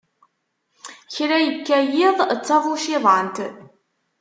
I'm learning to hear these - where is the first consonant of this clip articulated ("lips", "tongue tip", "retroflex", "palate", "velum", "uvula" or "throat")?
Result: palate